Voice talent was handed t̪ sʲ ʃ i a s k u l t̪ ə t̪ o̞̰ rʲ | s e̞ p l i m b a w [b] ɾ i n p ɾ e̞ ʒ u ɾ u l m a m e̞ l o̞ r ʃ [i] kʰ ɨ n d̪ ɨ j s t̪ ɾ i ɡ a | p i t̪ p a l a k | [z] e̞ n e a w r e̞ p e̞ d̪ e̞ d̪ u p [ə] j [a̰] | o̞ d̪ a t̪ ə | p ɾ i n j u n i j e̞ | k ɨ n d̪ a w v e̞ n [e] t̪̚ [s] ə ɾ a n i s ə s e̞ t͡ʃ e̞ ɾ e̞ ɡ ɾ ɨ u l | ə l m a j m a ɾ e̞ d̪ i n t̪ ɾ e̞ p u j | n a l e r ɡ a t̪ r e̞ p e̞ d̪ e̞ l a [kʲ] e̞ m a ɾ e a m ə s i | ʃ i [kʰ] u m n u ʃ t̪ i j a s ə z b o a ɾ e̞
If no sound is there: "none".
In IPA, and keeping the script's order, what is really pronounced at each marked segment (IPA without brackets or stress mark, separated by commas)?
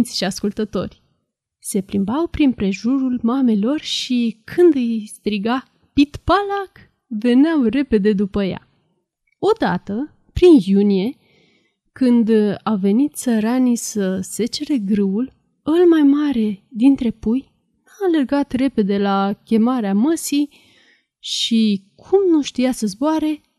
p, i, v, ə, a̰, i, s, kʲ, kʰ